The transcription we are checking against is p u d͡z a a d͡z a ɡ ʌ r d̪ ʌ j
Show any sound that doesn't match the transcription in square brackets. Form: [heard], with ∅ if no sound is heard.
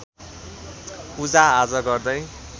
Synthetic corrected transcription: p u d͡z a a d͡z [ʌ] ɡ ʌ r d̪ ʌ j